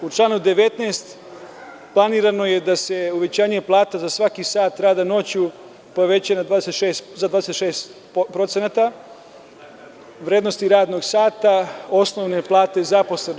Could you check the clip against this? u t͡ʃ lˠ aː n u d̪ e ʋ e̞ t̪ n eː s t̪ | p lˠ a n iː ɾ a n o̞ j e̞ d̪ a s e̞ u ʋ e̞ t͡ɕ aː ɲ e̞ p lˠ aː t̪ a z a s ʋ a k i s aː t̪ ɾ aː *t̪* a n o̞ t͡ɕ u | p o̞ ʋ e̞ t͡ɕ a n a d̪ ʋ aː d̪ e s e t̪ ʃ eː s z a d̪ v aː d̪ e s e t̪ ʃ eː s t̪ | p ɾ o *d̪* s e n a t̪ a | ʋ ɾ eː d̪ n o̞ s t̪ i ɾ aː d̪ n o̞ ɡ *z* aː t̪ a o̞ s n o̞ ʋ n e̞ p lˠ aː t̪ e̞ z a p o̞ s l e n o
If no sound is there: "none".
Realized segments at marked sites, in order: d̪, t̪, s

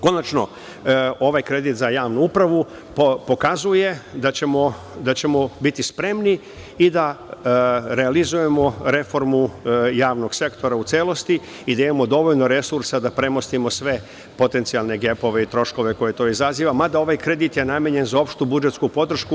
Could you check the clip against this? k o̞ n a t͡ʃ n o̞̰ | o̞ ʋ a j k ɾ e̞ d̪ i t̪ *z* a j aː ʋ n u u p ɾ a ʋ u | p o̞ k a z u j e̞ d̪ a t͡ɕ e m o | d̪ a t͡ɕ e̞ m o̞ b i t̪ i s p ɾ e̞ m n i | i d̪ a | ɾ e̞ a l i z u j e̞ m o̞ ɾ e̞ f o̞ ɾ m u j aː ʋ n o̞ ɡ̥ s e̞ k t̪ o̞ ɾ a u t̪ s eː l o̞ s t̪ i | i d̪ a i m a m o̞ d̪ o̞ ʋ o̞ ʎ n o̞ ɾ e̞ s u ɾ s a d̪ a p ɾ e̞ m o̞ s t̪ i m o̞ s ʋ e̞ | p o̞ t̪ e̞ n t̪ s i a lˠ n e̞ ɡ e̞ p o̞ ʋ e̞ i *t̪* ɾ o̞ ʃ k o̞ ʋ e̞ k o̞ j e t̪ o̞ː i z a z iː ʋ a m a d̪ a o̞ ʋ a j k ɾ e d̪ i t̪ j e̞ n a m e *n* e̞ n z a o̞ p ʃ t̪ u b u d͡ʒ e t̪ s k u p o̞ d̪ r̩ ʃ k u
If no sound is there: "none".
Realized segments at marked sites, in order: z, t̪, ɲ

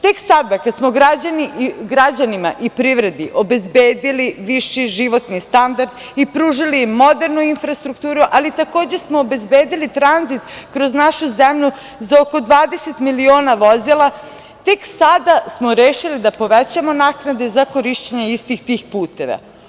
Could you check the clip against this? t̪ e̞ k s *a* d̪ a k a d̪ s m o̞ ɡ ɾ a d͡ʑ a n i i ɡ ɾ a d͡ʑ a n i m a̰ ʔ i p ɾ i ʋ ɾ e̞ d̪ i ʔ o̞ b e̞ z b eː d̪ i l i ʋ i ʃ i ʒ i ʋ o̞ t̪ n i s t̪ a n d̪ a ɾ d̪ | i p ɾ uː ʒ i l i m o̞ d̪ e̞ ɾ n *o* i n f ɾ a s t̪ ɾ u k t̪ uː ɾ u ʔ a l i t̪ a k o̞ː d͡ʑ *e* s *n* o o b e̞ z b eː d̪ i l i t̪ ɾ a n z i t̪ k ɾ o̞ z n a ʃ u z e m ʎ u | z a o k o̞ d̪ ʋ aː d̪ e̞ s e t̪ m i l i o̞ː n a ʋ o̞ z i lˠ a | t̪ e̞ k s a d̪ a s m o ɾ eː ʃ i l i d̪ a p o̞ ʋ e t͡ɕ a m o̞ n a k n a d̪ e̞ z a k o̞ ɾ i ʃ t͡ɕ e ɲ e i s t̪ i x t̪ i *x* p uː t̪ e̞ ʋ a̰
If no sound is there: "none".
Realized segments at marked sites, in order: a, u, e, m, x

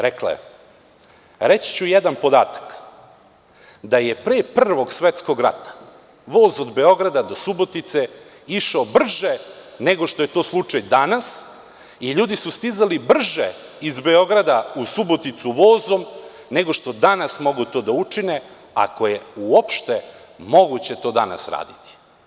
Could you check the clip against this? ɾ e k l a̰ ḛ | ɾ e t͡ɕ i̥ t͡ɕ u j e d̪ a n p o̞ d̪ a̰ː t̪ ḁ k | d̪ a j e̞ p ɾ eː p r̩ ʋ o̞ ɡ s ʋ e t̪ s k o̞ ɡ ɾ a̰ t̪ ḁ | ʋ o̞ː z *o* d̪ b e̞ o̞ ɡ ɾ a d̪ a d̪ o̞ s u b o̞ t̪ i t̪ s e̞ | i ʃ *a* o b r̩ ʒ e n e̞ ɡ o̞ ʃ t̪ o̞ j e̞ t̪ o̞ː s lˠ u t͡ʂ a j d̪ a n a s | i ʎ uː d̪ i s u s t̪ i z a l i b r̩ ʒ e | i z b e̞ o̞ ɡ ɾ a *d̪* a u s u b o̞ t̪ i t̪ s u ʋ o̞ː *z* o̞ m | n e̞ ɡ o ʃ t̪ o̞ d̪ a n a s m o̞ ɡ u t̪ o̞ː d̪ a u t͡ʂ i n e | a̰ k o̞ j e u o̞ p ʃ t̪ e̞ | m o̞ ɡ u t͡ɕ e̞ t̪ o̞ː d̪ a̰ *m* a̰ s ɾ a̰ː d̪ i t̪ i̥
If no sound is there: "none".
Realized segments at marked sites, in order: o, a, d̪, z, n

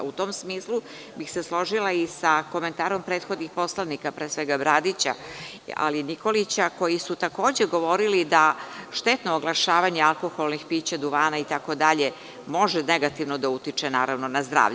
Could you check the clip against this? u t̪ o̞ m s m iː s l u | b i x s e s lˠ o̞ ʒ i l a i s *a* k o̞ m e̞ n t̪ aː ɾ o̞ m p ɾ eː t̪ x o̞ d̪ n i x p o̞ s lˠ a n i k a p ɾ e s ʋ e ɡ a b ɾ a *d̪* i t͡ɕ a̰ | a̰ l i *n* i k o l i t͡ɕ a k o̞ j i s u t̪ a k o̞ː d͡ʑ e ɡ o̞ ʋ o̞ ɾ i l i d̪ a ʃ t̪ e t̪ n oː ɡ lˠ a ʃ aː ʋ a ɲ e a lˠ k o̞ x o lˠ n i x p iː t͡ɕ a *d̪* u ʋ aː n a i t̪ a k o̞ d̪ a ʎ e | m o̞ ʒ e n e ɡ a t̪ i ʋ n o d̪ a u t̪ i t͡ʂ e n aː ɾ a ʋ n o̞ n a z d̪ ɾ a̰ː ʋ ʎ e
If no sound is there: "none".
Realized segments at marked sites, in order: a, d̪, n, d̪

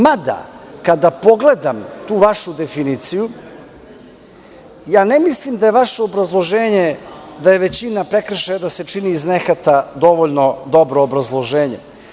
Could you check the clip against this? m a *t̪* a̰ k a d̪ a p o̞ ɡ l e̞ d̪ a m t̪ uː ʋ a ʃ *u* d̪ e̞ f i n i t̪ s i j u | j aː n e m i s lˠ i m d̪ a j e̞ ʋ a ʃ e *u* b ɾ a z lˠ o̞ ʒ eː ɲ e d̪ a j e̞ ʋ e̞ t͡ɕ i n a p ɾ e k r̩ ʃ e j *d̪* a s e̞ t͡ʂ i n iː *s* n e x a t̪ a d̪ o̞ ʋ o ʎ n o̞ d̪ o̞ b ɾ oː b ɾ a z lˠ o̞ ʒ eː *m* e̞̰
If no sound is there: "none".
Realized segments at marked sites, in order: d̪, u, o, d̪, z, ɲ

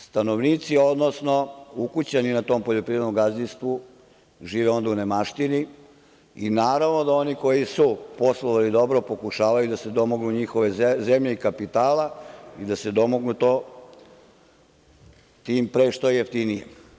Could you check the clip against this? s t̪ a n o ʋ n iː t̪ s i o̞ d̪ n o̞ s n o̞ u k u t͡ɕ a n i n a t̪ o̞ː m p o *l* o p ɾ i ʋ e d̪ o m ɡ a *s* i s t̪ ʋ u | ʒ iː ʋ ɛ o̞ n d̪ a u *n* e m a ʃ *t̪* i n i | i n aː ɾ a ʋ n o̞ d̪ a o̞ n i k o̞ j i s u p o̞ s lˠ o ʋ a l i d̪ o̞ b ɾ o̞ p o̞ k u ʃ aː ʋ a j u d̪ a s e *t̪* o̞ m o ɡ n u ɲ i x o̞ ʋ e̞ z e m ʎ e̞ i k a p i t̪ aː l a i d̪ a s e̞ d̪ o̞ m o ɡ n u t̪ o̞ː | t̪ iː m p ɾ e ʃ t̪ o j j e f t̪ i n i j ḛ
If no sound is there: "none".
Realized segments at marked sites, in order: ʎ, z, n, t̪, d̪

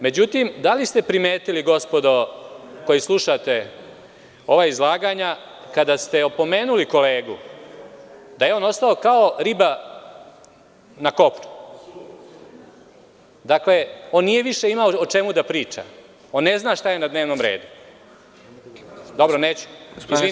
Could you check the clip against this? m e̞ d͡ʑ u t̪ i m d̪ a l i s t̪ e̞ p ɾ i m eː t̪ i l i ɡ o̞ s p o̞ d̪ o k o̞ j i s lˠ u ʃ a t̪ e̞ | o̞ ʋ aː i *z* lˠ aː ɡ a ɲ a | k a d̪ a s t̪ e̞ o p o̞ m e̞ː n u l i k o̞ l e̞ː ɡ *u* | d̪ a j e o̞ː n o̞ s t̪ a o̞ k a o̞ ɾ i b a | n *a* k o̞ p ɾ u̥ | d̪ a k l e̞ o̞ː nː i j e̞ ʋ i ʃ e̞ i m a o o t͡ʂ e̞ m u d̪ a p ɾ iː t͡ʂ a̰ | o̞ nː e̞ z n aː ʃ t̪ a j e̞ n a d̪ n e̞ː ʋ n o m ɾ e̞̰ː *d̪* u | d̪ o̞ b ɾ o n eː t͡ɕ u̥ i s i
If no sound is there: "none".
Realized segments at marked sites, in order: z, u, a, d̪

